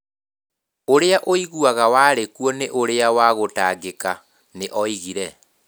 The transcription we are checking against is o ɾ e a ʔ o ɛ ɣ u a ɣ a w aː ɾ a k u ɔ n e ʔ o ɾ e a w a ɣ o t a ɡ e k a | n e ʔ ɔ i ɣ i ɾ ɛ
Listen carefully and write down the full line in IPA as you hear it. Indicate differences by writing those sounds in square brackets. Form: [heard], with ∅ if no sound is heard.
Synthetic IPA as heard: o ɾ e a ʔ o [i] ɣ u a ɣ a w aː ɾ [e] k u ɔ n e ʔ o ɾ e a w a ɣ o t a ɡ e k a | n e ʔ ɔ i ɣ i ɾ ɛ